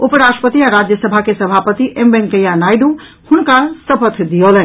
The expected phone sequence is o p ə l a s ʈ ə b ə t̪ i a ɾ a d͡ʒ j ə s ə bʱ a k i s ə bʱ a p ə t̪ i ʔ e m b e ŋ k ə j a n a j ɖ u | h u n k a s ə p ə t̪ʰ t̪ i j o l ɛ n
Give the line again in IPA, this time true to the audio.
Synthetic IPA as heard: o p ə ɾ a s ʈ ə p ə t̪ i a ɾ a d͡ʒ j ə s ə bʱ a k e s ə bʱ a p ə t̪ i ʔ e m b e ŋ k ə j a n a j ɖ u | h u n k a s ə p ə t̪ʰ d̪ i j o l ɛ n